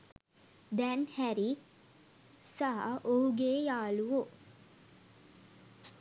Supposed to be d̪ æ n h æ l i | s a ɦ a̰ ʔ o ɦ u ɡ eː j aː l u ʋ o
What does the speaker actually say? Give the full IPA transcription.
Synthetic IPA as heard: d̪ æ n h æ ɾ i | s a ɦ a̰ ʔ o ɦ u ɡ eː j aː l u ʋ o